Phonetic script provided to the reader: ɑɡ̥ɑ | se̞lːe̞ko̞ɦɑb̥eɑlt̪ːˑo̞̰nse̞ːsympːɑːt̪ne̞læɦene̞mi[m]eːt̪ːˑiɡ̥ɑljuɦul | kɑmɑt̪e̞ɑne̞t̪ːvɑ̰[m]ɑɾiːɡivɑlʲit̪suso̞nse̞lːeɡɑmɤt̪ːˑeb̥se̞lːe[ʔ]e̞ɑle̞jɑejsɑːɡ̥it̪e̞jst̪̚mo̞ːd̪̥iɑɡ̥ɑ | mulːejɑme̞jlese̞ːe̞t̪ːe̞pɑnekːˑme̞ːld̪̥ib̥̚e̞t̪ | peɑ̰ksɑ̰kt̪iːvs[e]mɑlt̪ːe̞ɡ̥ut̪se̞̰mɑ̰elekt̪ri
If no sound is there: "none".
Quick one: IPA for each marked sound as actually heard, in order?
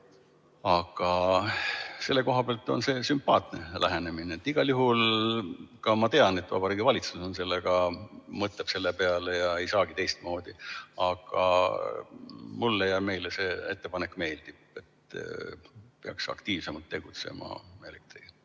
n, b, p, e

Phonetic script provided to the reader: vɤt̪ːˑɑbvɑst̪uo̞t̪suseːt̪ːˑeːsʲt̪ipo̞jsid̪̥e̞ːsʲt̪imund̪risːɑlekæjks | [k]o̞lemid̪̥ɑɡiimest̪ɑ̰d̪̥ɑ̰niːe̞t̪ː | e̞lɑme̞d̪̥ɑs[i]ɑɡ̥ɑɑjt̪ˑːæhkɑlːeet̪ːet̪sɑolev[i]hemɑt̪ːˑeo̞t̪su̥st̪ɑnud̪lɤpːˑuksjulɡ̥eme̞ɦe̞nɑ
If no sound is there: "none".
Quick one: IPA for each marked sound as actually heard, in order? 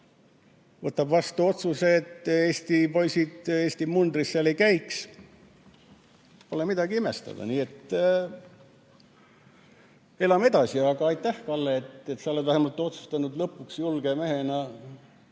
p, i, æ

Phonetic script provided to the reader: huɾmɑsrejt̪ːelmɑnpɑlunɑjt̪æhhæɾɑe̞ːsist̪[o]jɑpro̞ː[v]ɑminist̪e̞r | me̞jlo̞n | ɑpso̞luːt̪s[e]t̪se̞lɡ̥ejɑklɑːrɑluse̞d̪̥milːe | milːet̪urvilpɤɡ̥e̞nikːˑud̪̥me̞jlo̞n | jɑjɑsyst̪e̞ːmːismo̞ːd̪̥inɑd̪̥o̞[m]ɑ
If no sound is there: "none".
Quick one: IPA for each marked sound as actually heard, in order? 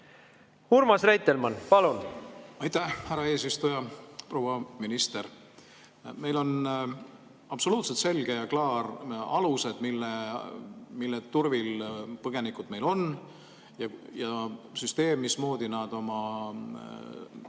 u, w, e, m

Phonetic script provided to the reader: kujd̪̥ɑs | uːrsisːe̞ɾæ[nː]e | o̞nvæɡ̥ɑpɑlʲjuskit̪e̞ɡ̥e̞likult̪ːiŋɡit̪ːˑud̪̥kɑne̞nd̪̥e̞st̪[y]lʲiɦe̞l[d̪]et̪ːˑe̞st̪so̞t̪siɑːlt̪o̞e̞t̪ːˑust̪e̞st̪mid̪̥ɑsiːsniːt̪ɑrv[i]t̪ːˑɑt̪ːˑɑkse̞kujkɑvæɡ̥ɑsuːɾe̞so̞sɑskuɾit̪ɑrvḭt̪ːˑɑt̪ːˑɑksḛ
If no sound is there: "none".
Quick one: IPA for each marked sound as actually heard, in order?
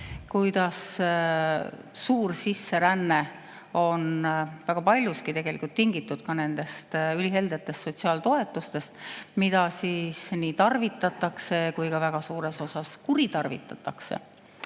nː, y, d̪, i

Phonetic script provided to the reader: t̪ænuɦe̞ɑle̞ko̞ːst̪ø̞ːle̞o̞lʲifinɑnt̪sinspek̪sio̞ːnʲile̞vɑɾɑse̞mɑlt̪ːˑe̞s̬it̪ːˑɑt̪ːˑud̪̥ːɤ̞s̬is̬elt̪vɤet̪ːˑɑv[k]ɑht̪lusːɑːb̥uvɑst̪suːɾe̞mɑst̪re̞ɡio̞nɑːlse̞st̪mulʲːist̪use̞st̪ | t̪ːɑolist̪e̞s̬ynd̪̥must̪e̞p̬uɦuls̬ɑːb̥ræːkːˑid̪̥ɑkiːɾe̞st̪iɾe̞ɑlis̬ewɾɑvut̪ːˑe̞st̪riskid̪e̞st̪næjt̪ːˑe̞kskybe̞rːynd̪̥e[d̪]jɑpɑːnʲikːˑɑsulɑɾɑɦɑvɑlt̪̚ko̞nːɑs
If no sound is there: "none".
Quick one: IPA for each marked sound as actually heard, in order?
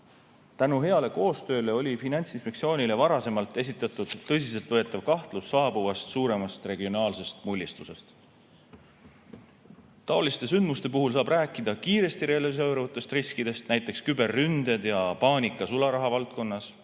k, d̪

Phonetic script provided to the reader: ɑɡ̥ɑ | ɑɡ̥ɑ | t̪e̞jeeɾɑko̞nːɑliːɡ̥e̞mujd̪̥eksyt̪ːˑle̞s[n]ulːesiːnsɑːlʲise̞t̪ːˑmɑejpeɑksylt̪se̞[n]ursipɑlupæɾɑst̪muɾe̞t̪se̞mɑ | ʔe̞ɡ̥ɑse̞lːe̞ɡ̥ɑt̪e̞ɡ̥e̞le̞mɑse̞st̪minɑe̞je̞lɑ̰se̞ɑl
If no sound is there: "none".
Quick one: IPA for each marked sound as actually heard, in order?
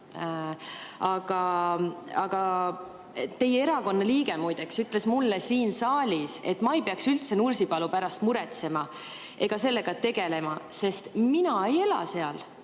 m, n

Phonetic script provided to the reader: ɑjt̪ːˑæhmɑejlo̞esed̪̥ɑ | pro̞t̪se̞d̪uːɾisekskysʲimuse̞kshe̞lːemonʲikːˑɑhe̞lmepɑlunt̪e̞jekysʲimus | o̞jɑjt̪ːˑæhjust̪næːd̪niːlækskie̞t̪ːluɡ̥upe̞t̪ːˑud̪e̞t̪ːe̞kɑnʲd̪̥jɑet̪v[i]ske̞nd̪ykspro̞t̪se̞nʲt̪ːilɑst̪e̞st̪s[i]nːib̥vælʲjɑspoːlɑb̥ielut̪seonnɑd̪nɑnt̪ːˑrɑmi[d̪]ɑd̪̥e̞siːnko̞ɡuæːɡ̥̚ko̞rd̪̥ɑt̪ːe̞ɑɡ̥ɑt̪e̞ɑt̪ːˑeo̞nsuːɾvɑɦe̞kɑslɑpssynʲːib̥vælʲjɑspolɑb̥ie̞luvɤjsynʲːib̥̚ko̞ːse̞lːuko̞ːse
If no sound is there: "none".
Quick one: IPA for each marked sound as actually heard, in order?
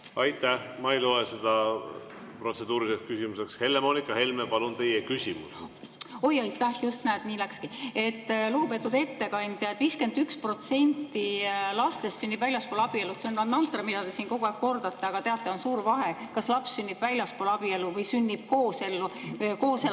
iː, y, d̪

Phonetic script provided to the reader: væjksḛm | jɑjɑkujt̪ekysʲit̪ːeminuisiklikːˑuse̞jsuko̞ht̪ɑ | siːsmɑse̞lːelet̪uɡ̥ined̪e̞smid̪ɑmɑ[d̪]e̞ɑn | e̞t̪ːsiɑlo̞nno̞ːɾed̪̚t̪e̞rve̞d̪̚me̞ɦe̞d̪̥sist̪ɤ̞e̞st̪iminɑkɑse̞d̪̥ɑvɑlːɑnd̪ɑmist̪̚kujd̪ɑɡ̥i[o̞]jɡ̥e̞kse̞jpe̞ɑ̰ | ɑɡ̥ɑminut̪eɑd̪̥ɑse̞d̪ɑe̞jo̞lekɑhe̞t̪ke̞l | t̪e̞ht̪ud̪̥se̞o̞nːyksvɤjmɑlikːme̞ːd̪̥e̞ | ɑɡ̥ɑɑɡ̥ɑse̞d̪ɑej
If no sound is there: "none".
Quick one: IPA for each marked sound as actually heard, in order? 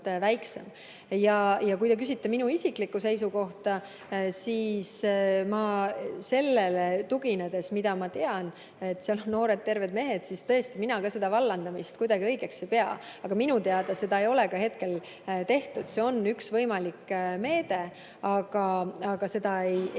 t̪, ɤ̞

